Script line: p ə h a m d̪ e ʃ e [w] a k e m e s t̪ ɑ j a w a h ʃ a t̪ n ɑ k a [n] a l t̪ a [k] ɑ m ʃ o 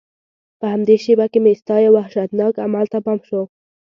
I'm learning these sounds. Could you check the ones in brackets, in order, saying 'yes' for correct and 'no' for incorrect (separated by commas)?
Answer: no, no, no